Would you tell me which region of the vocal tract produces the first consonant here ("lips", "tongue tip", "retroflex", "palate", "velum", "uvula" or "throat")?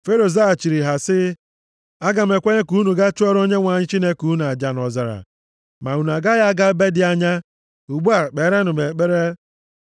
lips